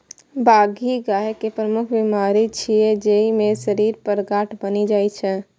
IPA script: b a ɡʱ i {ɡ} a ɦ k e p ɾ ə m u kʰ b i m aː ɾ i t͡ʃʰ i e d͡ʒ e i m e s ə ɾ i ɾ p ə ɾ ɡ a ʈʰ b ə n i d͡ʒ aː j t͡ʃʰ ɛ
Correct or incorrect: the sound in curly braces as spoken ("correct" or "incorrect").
correct